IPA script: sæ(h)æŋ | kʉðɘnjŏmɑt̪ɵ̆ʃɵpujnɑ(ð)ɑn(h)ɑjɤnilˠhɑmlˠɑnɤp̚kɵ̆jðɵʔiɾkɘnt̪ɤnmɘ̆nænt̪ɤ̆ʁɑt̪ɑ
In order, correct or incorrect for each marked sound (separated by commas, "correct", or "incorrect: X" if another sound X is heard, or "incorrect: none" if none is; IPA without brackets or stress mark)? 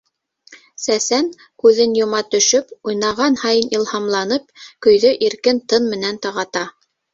incorrect: s, incorrect: ʁ, correct